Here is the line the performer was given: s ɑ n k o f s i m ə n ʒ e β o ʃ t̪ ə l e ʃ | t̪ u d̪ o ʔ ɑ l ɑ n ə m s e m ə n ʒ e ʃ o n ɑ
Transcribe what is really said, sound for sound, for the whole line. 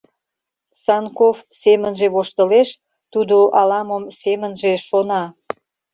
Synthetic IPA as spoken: s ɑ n k o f s e m ə n ʒ e β o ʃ t̪ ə l e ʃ | t̪ u d̪ o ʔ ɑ l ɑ m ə m s e m ə n ʒ e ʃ o n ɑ